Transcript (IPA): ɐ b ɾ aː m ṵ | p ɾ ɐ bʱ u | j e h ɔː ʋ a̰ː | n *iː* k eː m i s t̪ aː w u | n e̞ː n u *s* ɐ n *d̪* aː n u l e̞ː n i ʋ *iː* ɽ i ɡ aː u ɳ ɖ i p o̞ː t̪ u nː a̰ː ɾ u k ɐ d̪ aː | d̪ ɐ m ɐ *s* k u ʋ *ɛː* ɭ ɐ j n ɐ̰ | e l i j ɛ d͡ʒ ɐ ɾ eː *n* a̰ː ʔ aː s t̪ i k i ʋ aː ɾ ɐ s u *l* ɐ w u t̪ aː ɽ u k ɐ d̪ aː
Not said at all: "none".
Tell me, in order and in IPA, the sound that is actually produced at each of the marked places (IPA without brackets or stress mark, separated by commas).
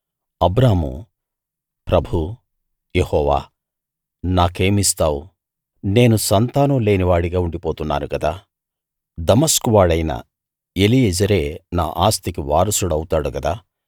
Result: aː, s, t̪, aː, s, aː, n, ɽ